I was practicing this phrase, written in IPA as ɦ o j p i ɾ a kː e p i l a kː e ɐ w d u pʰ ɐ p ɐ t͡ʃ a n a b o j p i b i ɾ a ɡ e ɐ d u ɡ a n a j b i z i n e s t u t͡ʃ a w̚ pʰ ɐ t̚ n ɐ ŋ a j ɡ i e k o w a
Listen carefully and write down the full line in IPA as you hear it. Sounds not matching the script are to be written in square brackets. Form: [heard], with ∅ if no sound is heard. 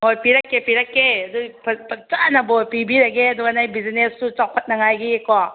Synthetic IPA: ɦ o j p i ɾ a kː e p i [ɾ] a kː e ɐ [∅] d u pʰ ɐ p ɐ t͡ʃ a n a b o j p i b i ɾ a ɡ e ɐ d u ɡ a n a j b i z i n e s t u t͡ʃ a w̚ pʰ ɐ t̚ n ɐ ŋ a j ɡ i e k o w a